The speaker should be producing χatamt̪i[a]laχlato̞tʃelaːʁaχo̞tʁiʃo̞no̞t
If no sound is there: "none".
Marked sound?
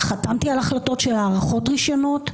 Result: a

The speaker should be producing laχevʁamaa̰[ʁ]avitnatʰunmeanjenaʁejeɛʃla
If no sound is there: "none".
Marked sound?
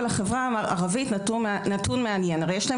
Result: ʁ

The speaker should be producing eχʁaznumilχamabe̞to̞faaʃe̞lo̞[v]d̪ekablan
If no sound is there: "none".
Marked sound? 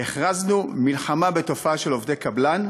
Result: v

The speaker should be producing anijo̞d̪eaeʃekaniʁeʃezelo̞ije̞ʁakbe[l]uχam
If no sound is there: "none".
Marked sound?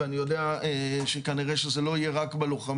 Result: l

